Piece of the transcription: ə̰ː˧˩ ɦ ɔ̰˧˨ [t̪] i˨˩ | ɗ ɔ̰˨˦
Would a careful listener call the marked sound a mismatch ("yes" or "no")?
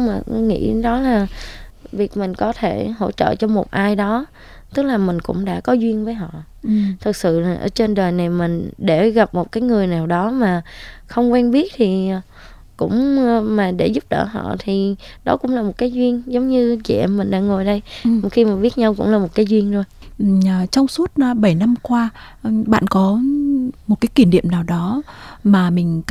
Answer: yes